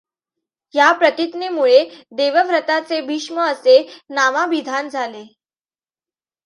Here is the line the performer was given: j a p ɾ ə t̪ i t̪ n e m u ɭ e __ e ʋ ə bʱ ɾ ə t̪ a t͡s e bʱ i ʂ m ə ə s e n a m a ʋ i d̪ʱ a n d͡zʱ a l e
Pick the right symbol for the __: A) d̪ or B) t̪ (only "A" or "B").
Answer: A